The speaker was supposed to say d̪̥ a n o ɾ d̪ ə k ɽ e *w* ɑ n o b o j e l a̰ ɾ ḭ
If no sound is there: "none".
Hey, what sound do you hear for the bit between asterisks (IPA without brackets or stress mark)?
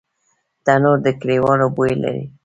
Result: w